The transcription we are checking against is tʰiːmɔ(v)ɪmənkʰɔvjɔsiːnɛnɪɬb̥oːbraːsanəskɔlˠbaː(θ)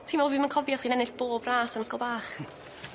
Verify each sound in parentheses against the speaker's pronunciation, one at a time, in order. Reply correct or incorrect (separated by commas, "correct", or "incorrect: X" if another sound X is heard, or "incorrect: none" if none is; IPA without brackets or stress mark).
correct, incorrect: χ